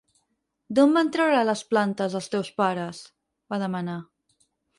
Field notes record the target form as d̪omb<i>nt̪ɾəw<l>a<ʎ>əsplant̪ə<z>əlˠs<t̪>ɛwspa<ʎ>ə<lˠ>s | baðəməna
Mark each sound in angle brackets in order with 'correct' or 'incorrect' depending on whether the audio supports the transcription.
incorrect: a, incorrect: ɾ, incorrect: l, correct, correct, incorrect: ɾ, incorrect: none

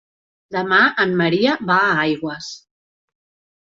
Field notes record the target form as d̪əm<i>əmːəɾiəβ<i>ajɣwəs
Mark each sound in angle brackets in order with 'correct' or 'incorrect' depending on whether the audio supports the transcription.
incorrect: a, incorrect: a

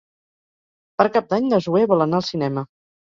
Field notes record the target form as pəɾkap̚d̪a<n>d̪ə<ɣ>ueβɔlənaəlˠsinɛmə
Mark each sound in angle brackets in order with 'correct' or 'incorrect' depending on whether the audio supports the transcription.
incorrect: ɲ, incorrect: ʒ

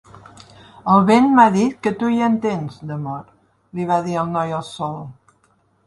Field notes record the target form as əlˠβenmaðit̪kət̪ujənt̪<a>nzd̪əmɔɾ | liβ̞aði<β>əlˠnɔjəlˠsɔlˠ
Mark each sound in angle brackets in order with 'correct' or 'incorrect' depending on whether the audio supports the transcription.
incorrect: e, incorrect: none

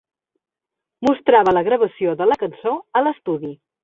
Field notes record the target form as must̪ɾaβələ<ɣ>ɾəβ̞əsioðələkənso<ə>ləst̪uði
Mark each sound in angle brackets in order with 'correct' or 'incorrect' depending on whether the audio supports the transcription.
correct, correct

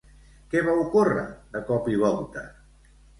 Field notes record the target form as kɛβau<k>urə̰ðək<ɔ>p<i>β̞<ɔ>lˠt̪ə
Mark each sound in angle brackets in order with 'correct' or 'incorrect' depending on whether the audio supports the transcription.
correct, correct, correct, correct

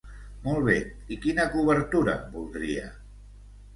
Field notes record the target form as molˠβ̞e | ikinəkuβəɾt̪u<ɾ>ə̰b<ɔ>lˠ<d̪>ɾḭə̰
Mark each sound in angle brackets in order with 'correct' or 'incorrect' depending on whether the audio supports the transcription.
correct, incorrect: u, correct

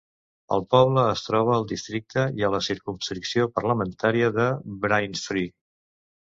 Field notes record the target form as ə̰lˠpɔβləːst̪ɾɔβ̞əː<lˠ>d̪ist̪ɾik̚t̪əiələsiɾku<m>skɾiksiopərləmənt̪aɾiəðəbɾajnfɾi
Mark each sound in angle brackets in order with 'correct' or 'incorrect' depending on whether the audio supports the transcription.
correct, correct

